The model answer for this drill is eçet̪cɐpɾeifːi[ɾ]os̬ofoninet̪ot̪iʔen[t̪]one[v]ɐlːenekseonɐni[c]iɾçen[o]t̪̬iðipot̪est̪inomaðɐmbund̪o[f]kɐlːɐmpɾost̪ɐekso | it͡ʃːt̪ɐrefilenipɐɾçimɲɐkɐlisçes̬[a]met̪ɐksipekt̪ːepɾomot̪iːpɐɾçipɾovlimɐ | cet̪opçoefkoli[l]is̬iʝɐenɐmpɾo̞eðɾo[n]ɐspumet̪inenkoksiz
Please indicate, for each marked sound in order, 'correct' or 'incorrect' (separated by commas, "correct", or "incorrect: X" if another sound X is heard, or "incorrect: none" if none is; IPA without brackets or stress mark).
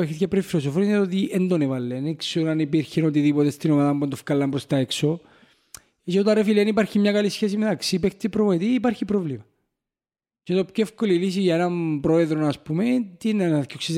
incorrect: l, incorrect: d̪, correct, incorrect: p, correct, correct, incorrect: i, correct, correct